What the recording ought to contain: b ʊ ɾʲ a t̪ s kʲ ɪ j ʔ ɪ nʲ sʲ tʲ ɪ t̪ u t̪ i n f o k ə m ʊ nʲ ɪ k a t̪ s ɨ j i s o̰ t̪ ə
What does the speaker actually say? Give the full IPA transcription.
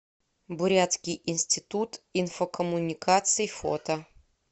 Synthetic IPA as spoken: b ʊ ɾʲ a t̪ s kʲ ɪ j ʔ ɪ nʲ sʲ tʲ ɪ t̪ u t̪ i n f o k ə m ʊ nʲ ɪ k a t̪ s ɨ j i f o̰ t̪ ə